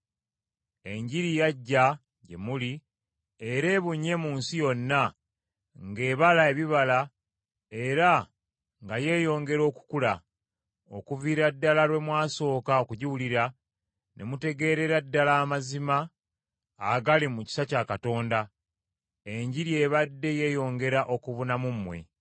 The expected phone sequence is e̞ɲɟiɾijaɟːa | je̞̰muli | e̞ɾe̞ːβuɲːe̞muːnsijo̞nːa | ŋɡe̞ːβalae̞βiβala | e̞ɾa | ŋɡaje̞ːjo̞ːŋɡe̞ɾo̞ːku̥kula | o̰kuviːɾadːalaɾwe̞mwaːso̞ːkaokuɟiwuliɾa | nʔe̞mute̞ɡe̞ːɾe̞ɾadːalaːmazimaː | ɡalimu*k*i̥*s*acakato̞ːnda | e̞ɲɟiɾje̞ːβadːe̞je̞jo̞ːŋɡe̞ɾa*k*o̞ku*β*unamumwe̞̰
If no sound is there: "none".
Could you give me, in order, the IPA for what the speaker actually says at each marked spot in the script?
c, s, ʔ, β

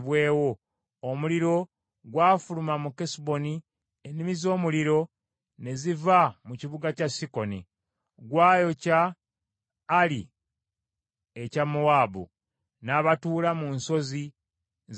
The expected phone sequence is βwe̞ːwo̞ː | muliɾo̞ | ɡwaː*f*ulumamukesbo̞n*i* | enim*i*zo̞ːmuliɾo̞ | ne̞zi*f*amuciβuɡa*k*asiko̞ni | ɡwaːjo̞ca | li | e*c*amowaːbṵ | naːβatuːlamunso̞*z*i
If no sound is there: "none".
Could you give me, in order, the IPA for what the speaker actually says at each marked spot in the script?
f, i, i, v, c, c, z

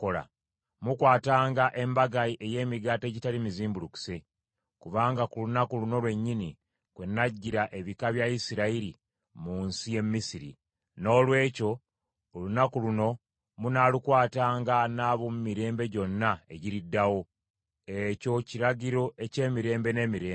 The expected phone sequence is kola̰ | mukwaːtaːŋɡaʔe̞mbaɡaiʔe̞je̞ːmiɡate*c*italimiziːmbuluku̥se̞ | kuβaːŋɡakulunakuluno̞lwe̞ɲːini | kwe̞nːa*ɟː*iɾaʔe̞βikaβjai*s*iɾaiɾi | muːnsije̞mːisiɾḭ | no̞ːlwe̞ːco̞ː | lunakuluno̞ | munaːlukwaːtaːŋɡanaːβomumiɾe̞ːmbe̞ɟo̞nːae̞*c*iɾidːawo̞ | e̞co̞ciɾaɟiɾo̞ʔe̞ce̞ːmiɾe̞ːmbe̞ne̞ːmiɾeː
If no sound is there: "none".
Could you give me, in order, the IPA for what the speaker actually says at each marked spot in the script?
ɟ, ɟː, s, ɟ

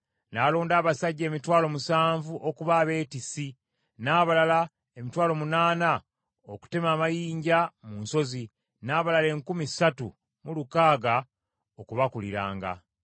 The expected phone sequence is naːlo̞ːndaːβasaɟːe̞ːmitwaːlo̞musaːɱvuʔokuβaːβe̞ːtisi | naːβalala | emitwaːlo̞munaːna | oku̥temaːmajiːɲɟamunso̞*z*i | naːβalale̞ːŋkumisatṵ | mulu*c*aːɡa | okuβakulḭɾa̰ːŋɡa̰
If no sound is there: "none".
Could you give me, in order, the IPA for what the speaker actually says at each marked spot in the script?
z, k

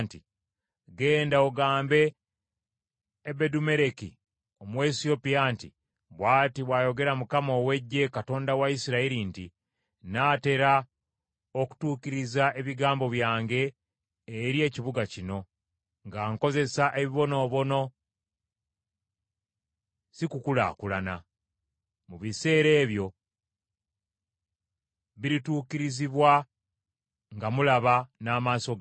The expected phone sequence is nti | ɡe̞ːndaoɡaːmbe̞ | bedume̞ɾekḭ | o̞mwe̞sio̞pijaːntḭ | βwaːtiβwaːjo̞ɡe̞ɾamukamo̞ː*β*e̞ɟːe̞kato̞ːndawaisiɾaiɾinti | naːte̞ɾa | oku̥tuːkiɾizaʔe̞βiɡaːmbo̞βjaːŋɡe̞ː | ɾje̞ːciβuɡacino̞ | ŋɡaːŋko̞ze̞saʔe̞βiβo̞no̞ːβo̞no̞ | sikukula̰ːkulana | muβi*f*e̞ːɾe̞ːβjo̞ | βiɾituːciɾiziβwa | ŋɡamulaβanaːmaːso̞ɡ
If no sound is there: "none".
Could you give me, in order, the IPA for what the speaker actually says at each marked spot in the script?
w, s

